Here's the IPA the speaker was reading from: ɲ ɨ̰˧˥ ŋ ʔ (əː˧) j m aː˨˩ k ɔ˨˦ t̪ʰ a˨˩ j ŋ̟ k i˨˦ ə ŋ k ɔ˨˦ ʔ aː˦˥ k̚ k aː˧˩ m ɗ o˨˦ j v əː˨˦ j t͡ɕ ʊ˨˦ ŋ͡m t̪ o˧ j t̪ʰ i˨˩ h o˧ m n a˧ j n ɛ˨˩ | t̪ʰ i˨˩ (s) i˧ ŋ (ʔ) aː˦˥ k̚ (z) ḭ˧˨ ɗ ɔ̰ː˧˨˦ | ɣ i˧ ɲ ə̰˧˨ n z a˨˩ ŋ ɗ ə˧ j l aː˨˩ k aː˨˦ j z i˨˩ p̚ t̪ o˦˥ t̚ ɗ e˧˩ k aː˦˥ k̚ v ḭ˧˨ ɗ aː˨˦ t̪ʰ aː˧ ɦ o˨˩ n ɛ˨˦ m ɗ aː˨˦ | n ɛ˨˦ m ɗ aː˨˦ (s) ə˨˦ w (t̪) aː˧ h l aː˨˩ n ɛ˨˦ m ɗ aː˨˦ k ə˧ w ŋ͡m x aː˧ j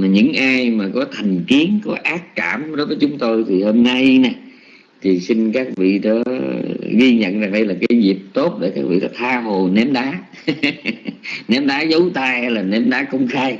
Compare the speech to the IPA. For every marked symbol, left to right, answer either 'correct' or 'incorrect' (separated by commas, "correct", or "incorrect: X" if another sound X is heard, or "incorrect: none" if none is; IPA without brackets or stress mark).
incorrect: aː˧, correct, incorrect: k, incorrect: v, incorrect: z, correct